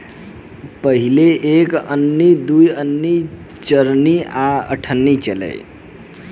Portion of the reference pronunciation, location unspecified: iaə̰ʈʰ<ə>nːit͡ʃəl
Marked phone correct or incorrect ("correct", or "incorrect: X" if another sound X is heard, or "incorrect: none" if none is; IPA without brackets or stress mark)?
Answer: correct